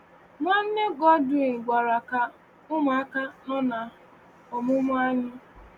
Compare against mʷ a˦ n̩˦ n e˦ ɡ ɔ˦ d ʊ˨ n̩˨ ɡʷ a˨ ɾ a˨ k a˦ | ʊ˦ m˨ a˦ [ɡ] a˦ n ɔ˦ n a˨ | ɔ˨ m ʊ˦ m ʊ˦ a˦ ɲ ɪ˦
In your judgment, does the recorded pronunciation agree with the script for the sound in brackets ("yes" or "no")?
no